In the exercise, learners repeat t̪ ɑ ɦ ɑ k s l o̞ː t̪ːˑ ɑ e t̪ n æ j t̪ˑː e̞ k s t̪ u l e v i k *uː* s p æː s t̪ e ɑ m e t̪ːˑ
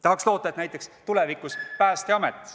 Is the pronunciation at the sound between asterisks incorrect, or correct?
incorrect: u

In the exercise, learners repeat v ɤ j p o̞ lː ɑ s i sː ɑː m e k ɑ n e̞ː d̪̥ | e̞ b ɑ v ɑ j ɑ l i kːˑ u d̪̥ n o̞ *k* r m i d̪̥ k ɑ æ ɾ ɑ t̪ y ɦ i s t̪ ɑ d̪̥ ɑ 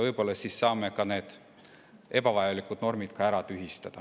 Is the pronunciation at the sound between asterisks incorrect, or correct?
incorrect: none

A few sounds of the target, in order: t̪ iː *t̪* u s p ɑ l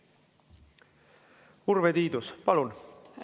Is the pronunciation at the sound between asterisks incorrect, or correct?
incorrect: d̪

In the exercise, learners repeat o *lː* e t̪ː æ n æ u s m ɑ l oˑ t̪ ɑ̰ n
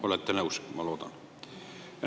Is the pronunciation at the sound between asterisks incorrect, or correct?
incorrect: l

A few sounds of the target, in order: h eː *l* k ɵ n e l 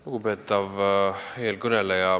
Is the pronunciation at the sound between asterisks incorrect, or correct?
correct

